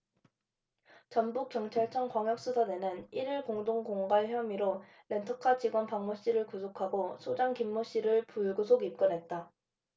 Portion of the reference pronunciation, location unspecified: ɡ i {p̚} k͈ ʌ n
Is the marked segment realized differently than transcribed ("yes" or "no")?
no